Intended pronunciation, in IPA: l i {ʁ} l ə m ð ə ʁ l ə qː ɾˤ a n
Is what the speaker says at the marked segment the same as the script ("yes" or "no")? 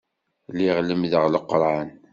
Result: yes